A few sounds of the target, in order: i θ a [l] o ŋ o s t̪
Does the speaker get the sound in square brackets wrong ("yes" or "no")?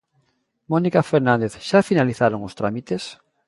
yes